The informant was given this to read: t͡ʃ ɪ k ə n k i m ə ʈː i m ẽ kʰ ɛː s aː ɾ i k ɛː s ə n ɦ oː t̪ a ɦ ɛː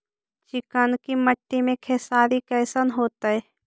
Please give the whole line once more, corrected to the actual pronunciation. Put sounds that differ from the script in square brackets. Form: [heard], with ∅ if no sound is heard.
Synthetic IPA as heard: t͡ʃ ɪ k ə n k i m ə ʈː i m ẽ kʰ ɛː s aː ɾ i k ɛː s ə n ɦ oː t̪ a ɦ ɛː

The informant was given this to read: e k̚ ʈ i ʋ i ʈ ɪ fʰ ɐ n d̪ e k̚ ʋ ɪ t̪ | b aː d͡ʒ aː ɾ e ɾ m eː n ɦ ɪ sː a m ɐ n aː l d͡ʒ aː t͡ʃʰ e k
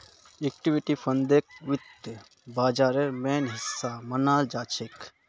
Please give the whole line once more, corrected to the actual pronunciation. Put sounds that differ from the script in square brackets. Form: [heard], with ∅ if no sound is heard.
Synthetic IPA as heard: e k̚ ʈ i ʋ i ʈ [i] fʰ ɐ n d̪ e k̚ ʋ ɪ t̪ | b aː d͡ʒ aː ɾ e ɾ m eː n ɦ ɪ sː a m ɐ n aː l d͡ʒ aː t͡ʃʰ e k

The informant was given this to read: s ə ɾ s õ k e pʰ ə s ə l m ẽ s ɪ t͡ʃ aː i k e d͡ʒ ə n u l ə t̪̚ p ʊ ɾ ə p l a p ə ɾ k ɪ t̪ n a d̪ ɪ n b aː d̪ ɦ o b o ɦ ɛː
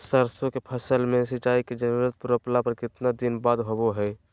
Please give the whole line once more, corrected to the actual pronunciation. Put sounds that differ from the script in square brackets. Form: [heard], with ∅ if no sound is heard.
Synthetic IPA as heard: s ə ɾ s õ k e pʰ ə s ə l m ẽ s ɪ t͡ʃ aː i k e d͡ʒ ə n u [ɾ] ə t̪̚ p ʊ ɾ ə p l a p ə ɾ k ɪ t̪ n a d̪ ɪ n b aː d̪ ɦ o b o ɦ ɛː

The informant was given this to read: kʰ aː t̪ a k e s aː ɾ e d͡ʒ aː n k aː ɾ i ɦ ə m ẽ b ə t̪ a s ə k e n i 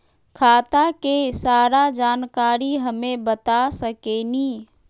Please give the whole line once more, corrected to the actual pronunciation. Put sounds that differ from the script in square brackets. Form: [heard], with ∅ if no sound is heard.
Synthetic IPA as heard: kʰ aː t̪ a k e s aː ɾ [a] d͡ʒ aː n k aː ɾ i ɦ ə m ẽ b ə t̪ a s ə k e n i

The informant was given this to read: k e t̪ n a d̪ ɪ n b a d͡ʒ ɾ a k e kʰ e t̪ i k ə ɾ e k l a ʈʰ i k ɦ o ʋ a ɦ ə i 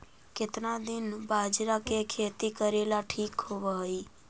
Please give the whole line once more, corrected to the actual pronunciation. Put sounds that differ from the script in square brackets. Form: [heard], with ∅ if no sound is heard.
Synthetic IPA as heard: k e t̪ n a d̪ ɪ n b a d͡ʒ ɾ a k e kʰ e t̪ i k ə ɾ e [∅] l a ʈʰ i k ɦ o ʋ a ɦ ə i

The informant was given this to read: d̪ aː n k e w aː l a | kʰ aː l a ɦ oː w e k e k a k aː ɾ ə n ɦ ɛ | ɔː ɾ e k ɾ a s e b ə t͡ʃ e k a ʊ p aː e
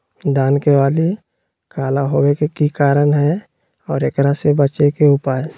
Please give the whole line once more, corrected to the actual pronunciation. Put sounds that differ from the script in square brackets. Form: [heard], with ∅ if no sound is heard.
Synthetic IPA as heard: d̪ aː n k e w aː l [i] | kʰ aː l a ɦ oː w e k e k [i] k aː ɾ ə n ɦ ɛ | ɔː ɾ e k ɾ a s e b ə t͡ʃ e k [e] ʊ p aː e

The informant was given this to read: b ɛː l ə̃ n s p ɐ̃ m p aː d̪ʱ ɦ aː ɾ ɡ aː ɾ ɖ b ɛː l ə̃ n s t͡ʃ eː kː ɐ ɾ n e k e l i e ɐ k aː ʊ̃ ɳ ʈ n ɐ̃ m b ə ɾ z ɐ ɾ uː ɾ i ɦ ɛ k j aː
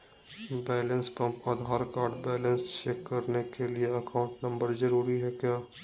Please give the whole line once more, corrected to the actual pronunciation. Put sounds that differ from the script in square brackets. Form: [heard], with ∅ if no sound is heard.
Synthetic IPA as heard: b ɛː l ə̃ n s p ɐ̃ m p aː d̪ʱ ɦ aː ɾ [k] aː ɾ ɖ b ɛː l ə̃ n s t͡ʃ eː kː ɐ ɾ n e k e l i e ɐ k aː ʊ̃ ɳ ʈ n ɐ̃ m b ə ɾ z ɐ ɾ uː ɾ i ɦ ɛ k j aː

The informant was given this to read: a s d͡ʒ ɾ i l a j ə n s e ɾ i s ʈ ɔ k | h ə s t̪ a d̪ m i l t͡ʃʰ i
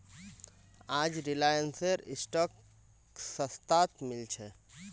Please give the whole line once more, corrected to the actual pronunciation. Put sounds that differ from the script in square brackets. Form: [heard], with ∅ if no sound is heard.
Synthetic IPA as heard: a [∅] d͡ʒ ɾ i l a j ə n s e ɾ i s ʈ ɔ k | [s] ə s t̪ a [t̪] m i l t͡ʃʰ [ɛ]

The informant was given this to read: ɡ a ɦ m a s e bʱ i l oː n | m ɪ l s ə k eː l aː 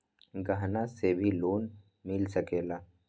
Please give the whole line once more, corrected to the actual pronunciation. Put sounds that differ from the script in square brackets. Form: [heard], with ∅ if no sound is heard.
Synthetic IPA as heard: ɡ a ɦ [n] a s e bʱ i l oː n | m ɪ l s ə k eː l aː

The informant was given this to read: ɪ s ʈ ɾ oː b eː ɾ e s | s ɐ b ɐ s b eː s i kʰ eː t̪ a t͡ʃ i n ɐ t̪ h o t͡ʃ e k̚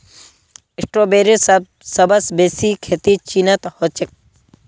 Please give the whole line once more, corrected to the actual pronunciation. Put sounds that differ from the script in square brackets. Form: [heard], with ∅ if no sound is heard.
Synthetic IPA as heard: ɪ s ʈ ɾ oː b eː ɾ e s | s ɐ b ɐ s b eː s i kʰ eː t̪ [i] t͡ʃ i n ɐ t̪ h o t͡ʃ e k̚

